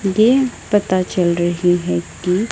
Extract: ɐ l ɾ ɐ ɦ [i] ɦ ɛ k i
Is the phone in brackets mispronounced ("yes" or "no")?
no